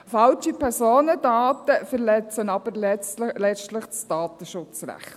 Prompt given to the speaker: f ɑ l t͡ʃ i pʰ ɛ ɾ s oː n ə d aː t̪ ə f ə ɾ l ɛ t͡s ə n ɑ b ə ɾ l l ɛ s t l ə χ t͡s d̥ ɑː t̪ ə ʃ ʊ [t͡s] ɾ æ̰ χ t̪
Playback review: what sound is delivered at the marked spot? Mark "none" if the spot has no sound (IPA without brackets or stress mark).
t͡s